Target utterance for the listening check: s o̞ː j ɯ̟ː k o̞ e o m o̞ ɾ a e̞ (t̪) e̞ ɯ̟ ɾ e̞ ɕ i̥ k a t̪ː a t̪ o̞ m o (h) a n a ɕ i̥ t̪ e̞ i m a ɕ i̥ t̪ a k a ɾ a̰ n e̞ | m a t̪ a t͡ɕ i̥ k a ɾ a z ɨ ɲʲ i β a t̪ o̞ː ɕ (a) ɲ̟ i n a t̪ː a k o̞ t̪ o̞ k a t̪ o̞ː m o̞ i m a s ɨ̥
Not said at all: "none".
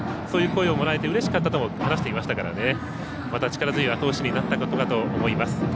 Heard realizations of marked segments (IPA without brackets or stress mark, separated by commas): t̪, h, i